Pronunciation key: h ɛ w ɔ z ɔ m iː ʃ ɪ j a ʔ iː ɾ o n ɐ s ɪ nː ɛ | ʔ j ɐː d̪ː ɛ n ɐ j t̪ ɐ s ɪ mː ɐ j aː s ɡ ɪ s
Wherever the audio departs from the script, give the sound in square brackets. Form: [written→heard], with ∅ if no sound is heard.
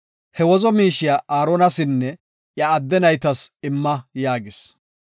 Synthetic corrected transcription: h ɛ w ɔ z ɔ m iː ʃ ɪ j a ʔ [iː→aː] ɾ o n ɐ s ɪ nː ɛ | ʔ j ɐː d̪ː ɛ n ɐ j t̪ ɐ s ɪ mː ɐ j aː [s→∅] ɡ ɪ s